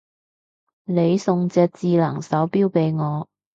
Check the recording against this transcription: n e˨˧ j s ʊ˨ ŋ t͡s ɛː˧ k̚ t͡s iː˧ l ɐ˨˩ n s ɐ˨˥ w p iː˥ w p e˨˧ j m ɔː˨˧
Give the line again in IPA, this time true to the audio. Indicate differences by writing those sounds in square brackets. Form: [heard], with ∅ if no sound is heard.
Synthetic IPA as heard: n e˨˧ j s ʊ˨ ŋ t͡s ɛː˧ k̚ t͡s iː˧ l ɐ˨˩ [ŋ] s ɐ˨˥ w p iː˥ w p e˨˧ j [ŋ] ɔː˨˧